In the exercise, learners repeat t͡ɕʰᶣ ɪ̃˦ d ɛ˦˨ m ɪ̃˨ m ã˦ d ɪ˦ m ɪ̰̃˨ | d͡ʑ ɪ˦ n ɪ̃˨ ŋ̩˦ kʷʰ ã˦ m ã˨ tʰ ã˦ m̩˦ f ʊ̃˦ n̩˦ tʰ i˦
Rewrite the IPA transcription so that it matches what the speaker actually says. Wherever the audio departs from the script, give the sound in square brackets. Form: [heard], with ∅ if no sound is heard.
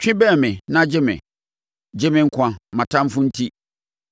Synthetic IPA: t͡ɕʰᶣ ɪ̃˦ [b] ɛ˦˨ m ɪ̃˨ [n] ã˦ [d͡ʑ] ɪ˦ m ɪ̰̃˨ | d͡ʑ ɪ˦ [m] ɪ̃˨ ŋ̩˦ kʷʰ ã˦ m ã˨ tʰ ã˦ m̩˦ f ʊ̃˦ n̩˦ tʰ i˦